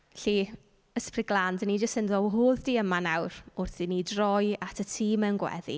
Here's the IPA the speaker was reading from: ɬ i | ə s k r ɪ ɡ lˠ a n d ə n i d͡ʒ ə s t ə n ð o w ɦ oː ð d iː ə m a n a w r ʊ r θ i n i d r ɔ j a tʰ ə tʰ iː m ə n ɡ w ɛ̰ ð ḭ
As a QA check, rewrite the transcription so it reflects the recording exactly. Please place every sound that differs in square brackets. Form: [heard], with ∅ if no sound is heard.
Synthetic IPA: ɬ i | ə s [p] r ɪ ɡ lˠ a n d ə n i d͡ʒ ə s t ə n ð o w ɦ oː ð d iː ə m a n a w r ʊ r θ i n i d r ɔ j a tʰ ə tʰ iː m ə n ɡ w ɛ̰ ð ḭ